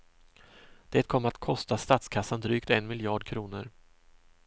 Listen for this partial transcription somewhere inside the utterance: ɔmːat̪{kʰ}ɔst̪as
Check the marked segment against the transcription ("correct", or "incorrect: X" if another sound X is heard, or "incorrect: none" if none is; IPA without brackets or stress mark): correct